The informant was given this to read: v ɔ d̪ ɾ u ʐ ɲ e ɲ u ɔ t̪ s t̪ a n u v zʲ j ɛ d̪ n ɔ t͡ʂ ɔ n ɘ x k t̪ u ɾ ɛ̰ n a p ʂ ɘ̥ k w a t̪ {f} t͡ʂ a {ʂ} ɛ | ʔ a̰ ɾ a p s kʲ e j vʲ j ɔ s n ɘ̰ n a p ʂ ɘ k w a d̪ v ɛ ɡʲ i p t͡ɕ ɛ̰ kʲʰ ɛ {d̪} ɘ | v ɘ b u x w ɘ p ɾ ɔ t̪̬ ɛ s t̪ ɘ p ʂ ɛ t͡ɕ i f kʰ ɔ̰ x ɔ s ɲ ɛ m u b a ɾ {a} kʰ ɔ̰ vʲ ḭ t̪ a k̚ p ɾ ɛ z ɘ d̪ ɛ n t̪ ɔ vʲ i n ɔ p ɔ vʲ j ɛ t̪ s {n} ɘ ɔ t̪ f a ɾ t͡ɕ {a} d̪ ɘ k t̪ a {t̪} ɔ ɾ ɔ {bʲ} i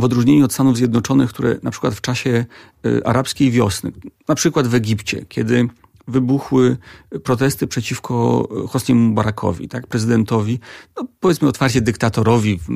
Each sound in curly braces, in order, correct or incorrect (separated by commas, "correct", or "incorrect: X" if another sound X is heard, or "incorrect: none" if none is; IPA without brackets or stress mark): correct, incorrect: ɕ, correct, correct, incorrect: m, incorrect: ɛ, correct, incorrect: vʲ